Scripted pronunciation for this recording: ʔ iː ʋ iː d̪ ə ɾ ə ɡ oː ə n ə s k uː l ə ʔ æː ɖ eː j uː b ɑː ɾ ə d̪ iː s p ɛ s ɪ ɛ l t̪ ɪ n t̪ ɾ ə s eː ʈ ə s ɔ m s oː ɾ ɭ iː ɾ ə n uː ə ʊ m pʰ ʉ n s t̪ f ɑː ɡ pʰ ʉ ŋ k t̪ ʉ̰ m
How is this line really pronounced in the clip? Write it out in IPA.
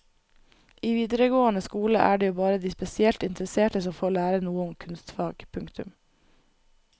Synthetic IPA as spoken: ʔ iː ʋ iː d̪ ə ɾ ə ɡ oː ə n ə s k uː l ə ʔ æː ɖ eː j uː b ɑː ɾ ə d̪ iː s p ɛ s ɪ ɛ l t̪ ɪ n t̪ ɾ ə s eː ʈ ə s ɔ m f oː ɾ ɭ æː ɾ ə n uː ə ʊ m kʰ ʉ n s t̪ f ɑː ɡ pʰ ʉ ŋ k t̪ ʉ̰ m